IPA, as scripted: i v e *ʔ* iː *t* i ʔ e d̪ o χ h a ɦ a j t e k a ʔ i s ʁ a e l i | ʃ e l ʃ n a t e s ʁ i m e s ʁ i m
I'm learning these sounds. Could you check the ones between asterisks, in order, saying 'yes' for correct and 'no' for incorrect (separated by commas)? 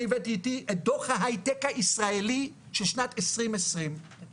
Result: no, yes